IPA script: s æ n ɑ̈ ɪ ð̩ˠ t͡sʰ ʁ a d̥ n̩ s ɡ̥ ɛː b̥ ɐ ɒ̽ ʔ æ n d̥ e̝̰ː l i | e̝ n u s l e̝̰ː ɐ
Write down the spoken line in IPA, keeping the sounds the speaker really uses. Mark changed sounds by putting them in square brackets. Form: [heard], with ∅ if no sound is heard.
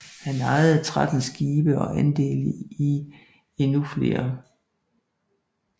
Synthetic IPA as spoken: [h] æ n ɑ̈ ɪ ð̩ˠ t͡sʰ ʁ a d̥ n̩ s ɡ̥ [iː] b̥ [ə] ɒ̽ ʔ æ n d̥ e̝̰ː l i | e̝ n u [f] l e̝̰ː ɐ